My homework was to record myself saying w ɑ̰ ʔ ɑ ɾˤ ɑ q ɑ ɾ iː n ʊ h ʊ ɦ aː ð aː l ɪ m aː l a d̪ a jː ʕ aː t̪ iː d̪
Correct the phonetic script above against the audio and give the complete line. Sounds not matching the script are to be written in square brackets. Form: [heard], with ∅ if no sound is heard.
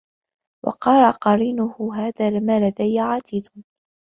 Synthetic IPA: w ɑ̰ [q] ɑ ɾˤ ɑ q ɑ ɾ iː n ʊ h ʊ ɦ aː ð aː l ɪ m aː l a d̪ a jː ʕ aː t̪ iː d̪

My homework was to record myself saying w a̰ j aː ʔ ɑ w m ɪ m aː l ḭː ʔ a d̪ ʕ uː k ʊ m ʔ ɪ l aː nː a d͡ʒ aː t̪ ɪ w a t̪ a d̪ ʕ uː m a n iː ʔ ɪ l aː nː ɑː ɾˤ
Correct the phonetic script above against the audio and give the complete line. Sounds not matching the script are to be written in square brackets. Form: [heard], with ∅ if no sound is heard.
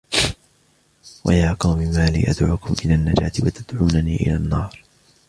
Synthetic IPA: w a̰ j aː [q] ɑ w m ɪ m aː l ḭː ʔ a d̪ ʕ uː k ʊ m ʔ ɪ l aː nː a d͡ʒ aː t̪ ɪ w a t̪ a d̪ ʕ uː [n] a n iː ʔ ɪ l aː nː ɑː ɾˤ

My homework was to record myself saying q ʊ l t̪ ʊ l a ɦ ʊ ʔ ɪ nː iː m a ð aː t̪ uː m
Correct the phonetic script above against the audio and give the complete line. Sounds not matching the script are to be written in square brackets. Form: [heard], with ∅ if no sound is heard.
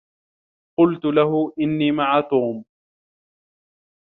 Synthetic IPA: q ʊ l t̪ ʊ l a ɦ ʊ ʔ ɪ nː iː m a [ʕ] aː t̪ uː m

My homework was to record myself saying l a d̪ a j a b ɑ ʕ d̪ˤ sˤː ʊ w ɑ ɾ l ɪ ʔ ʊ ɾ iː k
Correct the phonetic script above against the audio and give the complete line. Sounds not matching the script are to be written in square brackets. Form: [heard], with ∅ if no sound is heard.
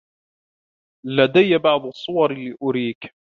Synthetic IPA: l a d̪ a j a b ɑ ʕ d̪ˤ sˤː ʊ w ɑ ɾ l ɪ ʔ ʊ ɾ iː k

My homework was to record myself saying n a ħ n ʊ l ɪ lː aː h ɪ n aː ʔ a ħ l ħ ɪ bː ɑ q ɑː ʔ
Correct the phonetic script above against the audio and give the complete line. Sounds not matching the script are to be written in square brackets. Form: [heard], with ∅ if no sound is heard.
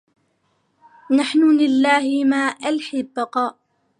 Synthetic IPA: n a ħ n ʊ l ɪ lː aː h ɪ [m] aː ʔ a [∅] l ħ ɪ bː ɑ q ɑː ʔ

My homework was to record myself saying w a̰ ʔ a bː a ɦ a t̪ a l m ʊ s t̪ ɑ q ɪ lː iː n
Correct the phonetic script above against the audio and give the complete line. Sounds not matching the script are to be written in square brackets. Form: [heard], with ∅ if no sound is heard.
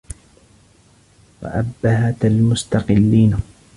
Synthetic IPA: w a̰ ʔ a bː a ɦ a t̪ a l m ʊ s t̪ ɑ q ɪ lː iː n

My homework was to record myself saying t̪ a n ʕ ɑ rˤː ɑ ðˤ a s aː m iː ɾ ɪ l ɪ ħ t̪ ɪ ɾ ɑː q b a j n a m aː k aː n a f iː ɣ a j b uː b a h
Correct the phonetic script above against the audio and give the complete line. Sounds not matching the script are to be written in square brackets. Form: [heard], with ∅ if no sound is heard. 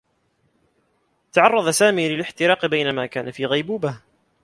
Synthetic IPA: t̪ a [∅] ʕ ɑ rˤː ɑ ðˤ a s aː m iː [l] ɪ l ɪ ħ t̪ ɪ ɾ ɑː q b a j n a m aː k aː n a f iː ɣ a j b uː b a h

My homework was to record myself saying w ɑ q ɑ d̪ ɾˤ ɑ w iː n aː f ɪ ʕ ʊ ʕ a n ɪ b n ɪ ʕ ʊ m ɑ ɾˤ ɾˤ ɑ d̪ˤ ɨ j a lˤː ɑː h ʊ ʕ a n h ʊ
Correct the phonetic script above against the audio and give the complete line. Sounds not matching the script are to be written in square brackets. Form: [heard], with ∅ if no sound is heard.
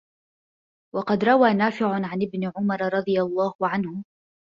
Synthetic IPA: w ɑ q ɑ d̪ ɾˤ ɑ w [aː] n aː f ɪ ʕ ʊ ʕ a n ɪ b n ɪ ʕ ʊ m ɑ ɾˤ ɾˤ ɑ d̪ˤ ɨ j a lˤː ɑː h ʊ ʕ a n h ʊ

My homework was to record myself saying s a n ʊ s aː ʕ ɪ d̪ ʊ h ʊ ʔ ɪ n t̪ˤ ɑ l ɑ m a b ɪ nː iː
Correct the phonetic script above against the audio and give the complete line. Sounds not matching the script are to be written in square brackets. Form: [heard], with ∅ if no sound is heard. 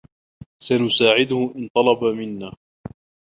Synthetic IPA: s a n ʊ s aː ʕ ɪ d̪ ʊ h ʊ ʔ ɪ n t̪ˤ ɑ l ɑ [b] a [m] ɪ nː [aː]

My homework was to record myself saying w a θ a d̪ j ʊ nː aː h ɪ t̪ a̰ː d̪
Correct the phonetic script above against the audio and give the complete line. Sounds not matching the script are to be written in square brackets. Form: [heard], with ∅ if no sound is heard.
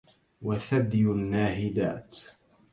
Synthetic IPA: w a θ a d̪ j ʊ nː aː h ɪ [d̪] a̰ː [t̪]

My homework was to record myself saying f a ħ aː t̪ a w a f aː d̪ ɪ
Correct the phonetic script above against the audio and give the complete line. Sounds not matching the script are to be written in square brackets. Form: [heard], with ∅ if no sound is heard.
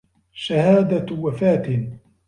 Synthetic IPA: [ʃ] a [h] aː [d̪] a w a f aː [t̪] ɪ

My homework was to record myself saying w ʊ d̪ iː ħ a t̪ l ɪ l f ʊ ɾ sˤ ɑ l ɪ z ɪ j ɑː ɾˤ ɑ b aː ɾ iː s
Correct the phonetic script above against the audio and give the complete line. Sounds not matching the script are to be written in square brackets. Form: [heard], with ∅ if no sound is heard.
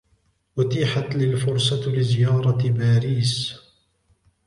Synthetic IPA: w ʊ [t̪] iː ħ a t̪ l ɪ l f ʊ ɾ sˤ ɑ l ɪ z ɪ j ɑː ɾˤ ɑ b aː ɾ iː s

